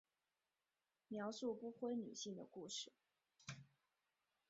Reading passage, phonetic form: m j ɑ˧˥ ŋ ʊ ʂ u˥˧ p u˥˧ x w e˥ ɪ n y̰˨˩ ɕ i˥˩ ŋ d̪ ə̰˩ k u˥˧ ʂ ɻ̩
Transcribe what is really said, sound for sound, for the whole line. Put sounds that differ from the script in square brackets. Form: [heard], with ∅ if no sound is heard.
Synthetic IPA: m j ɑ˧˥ [∅] ʊ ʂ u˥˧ p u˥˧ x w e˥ ɪ n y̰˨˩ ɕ i˥˩ ŋ d̪ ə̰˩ k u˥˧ ʂ ɻ̩